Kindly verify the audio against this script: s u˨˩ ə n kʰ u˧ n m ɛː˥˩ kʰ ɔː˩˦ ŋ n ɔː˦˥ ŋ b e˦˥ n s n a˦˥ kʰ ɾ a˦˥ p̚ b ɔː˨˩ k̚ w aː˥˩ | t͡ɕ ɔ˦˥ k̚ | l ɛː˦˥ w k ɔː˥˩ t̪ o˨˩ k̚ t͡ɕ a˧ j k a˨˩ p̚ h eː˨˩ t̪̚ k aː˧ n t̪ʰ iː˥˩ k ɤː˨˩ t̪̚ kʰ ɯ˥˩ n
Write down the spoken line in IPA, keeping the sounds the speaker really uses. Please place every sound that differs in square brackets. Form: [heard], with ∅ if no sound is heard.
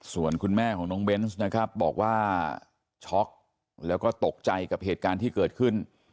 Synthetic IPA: s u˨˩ ə n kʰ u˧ n m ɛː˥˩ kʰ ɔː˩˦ ŋ n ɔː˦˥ ŋ b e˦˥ n s n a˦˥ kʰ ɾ a˦˥ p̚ b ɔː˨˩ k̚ w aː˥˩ | [t͡ɕʰ] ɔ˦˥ k̚ | l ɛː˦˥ w k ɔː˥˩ t̪ o˨˩ k̚ t͡ɕ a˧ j k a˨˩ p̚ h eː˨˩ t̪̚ k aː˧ n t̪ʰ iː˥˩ k ɤː˨˩ t̪̚ kʰ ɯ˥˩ n